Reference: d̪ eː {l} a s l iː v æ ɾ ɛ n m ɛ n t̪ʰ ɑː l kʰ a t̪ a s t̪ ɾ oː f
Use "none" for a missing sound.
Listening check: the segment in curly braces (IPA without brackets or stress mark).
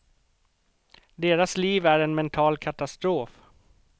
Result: ɾ